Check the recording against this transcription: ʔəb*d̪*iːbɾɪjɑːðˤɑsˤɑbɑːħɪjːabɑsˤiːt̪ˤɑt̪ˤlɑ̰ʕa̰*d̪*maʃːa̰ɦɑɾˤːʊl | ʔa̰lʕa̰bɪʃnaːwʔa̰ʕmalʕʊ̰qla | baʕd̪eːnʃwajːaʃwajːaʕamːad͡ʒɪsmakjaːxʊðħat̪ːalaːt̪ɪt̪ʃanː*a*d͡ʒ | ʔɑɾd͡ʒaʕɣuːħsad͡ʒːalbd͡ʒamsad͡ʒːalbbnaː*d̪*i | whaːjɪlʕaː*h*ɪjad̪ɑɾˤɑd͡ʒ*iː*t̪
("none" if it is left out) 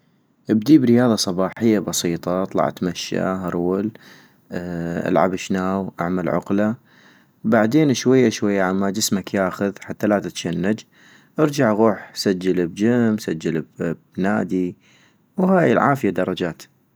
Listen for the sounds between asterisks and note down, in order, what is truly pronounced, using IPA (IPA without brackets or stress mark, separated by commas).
d̪, t̪, a, d̪, f, aː